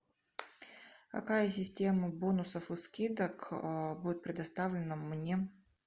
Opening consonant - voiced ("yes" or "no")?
no